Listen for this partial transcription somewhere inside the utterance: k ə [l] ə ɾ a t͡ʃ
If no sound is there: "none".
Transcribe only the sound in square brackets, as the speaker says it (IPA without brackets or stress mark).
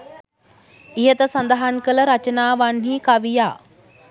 l